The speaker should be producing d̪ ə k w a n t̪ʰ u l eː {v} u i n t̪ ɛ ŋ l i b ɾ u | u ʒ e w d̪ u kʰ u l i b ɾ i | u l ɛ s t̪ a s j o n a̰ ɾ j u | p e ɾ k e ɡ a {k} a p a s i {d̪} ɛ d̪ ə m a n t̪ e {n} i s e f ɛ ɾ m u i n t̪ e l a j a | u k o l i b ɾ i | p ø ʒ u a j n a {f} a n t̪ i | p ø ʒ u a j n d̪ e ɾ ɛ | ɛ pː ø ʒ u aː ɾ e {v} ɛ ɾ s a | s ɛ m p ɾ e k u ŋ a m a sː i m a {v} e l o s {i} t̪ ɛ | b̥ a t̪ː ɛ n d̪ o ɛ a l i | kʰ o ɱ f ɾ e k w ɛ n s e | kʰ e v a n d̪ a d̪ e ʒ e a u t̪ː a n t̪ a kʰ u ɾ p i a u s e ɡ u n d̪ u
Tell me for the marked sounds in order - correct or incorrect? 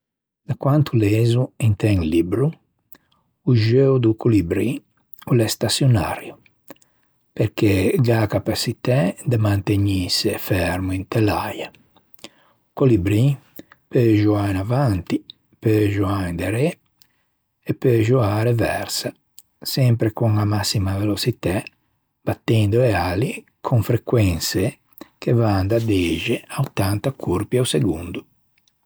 incorrect, correct, incorrect, incorrect, incorrect, correct, correct, correct

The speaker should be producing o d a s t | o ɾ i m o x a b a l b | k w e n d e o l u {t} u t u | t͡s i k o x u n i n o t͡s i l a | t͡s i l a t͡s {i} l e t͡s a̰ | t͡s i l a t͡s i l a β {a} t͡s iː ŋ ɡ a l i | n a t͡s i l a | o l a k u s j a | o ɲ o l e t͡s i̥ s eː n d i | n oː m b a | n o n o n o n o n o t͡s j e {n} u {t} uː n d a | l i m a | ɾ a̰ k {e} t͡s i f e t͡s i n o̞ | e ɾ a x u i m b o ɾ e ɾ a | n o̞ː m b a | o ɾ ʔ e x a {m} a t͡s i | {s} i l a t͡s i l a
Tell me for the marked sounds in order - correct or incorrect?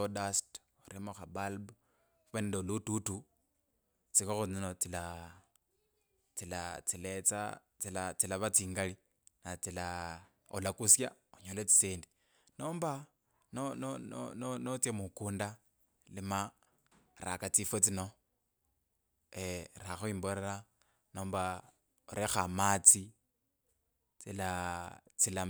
correct, correct, correct, incorrect, incorrect, incorrect, correct, incorrect

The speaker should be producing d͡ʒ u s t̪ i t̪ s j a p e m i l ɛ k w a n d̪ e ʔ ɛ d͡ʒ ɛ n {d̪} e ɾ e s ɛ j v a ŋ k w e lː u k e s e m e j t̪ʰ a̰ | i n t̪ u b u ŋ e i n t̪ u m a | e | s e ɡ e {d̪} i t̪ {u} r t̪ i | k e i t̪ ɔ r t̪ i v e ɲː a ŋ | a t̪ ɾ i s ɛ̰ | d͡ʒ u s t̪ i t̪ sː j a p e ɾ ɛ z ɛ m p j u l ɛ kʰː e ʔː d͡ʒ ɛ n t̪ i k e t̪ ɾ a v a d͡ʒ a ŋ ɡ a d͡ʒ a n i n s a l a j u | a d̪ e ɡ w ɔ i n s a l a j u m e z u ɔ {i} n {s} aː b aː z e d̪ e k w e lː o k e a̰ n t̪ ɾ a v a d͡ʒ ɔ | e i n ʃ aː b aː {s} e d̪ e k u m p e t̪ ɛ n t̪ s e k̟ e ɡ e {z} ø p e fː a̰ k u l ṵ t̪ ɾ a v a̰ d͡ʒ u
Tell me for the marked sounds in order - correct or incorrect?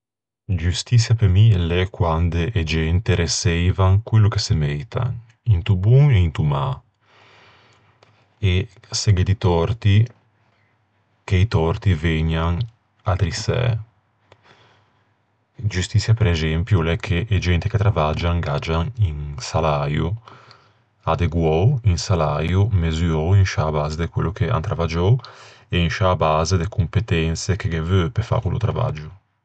incorrect, correct, incorrect, correct, incorrect, incorrect, incorrect

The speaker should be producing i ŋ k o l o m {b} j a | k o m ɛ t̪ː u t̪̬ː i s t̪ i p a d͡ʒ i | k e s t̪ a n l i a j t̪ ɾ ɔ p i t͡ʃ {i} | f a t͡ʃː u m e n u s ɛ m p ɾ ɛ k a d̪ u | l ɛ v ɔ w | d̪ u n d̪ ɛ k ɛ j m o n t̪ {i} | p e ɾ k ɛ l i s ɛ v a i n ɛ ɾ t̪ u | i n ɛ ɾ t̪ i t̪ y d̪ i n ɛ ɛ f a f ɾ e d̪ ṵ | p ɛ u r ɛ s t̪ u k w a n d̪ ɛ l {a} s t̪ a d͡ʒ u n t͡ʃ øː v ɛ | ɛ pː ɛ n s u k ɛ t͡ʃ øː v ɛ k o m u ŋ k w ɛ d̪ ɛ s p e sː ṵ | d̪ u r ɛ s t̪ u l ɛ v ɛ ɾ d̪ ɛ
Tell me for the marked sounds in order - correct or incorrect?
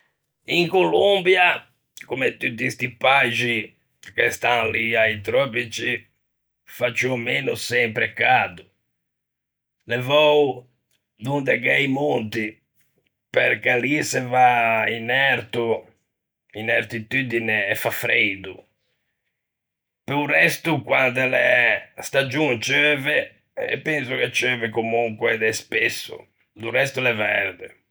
correct, correct, correct, incorrect

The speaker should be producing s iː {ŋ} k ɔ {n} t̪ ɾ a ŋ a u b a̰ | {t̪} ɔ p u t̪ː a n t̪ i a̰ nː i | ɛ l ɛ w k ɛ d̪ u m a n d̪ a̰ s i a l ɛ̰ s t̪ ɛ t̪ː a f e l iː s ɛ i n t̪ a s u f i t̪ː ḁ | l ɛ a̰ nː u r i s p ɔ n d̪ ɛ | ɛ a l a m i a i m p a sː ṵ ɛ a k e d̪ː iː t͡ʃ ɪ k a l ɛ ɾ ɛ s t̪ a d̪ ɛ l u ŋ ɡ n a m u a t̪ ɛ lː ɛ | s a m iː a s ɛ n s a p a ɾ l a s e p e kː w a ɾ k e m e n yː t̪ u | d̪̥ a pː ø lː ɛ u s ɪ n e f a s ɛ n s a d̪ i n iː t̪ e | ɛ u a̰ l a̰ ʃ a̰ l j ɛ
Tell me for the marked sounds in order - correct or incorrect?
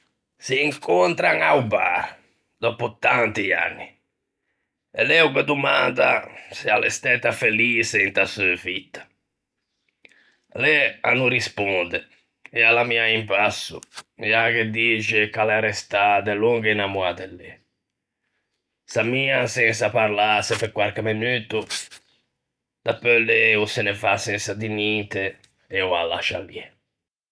correct, correct, incorrect

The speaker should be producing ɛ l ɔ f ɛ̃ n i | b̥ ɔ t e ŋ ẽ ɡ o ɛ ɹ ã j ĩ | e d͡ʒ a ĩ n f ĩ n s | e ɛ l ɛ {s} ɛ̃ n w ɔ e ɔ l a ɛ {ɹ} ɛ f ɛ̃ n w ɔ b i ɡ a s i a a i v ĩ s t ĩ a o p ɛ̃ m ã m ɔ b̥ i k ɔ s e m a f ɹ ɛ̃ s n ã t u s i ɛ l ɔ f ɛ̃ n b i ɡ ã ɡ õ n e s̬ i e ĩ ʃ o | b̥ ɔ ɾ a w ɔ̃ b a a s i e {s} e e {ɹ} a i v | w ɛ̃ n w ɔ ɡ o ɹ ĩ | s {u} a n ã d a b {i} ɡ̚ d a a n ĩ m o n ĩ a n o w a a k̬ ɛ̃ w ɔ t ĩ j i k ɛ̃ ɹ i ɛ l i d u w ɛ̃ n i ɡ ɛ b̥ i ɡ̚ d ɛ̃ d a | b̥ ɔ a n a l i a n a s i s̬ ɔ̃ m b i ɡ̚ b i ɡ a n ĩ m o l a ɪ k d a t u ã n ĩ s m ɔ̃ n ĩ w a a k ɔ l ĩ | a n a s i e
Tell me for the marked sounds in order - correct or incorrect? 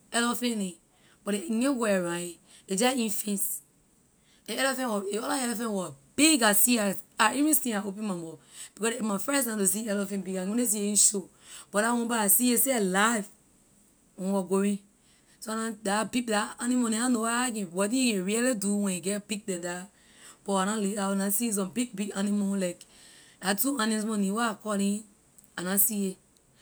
incorrect, incorrect, correct, incorrect, incorrect, correct

